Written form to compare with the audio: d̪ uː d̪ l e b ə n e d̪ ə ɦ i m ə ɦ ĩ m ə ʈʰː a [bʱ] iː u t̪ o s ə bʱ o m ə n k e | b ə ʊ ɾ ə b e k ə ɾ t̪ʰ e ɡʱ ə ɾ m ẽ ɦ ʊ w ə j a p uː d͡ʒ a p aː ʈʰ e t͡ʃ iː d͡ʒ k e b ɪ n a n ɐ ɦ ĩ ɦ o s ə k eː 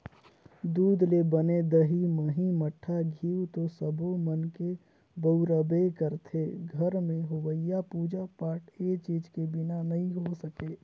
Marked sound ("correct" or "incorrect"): incorrect